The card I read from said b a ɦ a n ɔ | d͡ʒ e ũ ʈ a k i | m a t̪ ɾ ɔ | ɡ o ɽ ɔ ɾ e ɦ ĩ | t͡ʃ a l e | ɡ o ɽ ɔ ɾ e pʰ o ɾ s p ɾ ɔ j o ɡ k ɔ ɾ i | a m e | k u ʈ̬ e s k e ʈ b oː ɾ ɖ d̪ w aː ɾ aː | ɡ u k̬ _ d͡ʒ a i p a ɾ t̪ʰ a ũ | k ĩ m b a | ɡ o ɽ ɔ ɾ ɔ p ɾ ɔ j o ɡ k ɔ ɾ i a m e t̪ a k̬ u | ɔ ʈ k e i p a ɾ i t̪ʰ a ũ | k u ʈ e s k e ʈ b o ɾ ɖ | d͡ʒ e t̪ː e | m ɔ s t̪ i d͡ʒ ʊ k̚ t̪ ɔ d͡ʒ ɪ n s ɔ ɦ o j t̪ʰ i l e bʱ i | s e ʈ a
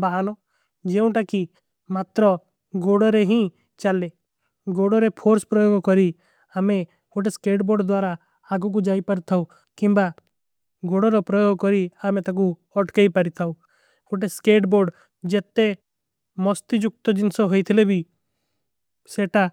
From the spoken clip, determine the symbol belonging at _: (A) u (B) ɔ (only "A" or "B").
A